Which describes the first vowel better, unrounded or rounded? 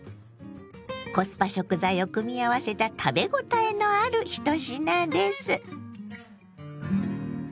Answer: rounded